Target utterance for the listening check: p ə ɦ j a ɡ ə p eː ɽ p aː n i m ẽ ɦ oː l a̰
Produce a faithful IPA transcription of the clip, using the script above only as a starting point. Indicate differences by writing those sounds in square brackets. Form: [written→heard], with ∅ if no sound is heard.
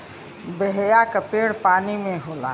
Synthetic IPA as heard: [p→b] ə ɦ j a [ɡ→k] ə p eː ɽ p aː n i m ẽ ɦ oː l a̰